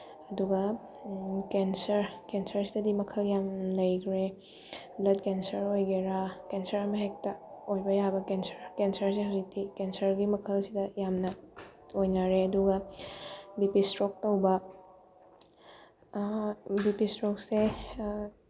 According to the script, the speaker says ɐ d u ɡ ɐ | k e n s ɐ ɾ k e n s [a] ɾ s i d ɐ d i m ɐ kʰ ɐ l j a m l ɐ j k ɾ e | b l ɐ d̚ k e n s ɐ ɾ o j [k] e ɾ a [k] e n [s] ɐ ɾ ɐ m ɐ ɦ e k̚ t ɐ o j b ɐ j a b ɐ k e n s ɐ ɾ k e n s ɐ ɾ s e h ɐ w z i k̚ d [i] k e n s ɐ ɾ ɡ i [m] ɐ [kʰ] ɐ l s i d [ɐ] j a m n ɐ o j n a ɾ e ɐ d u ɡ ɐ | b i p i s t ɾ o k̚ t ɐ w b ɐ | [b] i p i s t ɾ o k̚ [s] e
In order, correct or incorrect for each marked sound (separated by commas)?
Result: incorrect, incorrect, correct, correct, correct, correct, correct, correct, correct, correct